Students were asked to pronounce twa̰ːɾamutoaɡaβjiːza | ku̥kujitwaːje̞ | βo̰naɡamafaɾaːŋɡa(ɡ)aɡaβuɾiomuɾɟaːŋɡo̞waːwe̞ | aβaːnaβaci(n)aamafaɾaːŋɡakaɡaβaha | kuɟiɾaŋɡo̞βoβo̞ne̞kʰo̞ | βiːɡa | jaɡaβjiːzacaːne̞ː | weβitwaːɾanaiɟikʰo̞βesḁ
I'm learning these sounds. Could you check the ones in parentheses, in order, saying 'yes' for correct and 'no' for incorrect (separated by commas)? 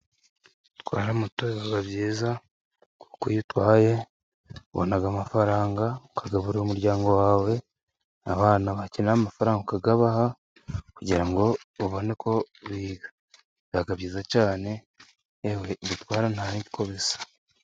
no, yes